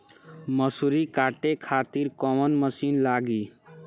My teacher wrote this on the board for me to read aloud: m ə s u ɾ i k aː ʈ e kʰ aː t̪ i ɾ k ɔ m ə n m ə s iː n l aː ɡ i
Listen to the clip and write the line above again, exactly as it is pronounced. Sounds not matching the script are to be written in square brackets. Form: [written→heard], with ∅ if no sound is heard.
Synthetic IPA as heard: m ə s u ɾ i k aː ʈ e kʰ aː t̪ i ɾ k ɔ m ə n m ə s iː n l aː ɡ i